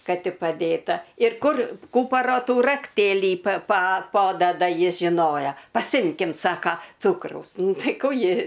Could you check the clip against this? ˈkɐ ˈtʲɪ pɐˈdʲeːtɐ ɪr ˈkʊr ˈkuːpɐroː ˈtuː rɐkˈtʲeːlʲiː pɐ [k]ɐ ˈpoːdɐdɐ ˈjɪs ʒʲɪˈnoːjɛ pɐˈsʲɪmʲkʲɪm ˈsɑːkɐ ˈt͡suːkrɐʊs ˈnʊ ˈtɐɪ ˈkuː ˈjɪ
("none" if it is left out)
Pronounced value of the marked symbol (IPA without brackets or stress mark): p